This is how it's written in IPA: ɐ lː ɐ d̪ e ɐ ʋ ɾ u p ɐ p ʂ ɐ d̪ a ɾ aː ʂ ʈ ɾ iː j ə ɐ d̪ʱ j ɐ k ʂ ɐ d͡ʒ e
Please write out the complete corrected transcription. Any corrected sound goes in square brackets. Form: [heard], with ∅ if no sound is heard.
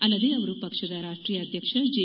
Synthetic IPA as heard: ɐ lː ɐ d̪ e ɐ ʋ ɾ u p ɐ [k] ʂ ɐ d̪ a ɾ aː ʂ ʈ ɾ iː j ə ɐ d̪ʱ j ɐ k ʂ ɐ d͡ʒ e